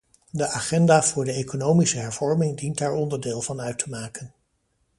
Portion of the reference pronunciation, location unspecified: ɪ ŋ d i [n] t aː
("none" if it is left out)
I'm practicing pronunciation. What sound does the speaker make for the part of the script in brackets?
n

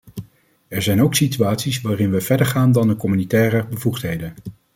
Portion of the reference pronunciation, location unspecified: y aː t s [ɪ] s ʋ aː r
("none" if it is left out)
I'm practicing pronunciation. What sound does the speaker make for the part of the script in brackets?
i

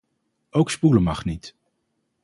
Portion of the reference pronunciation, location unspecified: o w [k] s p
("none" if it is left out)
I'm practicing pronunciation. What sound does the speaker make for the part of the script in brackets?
k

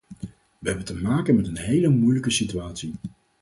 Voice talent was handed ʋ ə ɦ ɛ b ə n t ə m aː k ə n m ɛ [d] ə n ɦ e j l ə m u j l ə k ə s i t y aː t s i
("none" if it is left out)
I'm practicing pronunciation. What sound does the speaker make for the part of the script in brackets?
t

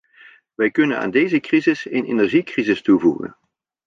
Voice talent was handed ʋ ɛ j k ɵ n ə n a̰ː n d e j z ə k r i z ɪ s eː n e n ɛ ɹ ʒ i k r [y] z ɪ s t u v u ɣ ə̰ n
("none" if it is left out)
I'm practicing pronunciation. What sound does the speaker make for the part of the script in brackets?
i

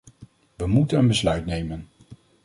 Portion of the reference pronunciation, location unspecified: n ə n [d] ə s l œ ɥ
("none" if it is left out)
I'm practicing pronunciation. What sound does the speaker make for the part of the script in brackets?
b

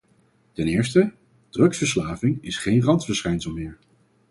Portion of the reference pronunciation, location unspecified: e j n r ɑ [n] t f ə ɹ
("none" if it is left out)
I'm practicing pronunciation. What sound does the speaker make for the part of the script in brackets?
n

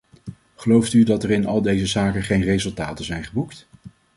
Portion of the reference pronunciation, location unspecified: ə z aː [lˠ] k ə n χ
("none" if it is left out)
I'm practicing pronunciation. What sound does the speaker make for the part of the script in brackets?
none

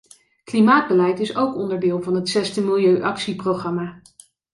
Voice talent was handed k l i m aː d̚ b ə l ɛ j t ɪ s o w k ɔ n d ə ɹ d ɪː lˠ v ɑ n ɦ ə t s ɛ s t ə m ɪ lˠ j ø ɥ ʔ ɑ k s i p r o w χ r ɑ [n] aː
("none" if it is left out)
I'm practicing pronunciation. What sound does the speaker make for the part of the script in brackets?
m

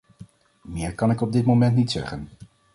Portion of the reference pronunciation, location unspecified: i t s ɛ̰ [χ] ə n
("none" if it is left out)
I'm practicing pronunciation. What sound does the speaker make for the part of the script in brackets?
χ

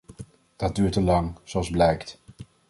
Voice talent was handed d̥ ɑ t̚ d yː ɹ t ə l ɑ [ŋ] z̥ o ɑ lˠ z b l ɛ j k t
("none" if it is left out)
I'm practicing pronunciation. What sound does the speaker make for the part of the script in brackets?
ŋ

